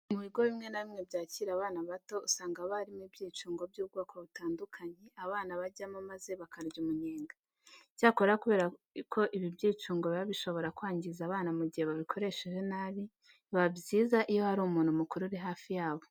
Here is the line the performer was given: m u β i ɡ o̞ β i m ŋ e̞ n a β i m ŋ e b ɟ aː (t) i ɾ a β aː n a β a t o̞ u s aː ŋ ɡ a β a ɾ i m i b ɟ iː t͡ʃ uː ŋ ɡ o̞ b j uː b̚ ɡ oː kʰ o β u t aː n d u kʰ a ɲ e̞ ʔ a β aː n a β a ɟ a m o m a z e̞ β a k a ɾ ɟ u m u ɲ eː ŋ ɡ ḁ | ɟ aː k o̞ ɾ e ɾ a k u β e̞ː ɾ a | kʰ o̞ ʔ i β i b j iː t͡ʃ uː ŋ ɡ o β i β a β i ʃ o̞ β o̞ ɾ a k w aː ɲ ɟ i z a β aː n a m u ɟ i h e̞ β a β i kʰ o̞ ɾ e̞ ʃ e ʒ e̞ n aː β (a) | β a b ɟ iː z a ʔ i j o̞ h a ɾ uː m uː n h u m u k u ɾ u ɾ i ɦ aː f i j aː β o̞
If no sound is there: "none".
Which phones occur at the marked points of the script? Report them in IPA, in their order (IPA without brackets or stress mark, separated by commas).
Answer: c, i